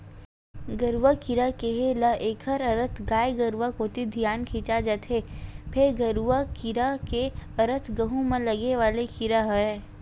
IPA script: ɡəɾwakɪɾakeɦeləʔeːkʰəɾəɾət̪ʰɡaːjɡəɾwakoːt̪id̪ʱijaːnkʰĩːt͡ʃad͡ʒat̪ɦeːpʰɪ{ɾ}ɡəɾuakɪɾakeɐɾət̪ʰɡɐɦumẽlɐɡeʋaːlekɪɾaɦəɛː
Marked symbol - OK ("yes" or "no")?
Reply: yes